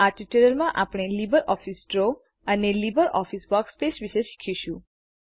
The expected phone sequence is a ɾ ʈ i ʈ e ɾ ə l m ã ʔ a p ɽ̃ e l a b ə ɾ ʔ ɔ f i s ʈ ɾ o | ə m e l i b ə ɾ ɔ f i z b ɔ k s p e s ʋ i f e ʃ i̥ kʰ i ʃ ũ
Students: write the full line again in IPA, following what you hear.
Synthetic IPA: a ɾ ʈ i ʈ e ɾ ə l m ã ʔ a p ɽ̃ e l i b ə ɾ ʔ ɔ f i s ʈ ɾ o | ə n e l i b ə ɾ ɔ f i s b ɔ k s p e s ʋ i ʃ e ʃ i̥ kʰ i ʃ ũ